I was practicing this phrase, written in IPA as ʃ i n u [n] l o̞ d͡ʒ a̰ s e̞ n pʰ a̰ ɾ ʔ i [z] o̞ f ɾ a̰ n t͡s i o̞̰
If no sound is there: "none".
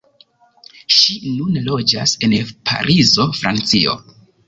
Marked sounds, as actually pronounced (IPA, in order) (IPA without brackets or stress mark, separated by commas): n, z